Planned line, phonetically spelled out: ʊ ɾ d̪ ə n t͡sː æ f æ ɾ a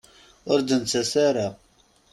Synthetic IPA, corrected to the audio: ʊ ɾ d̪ ə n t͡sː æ s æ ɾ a